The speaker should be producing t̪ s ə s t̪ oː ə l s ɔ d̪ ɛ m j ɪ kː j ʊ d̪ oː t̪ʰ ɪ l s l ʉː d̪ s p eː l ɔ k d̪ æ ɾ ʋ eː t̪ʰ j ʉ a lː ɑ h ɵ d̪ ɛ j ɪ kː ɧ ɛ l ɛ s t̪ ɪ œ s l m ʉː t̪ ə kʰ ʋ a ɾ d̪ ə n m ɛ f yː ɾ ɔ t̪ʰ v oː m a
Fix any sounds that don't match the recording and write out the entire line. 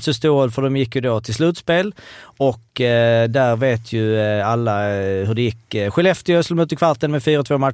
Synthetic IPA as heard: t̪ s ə s t̪ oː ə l f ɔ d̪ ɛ m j ɪ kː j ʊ d̪ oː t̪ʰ ɪ l s l ʉː t̪ s p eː l ɔ k d̪ æ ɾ ʋ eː t̪ʰ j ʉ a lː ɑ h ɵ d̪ ɛ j ɪ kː ɧ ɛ l ɛ f t̪ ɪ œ s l m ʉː t̪ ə kʰ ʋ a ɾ t̪ ə n m ɛ f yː ɾ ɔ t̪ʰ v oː m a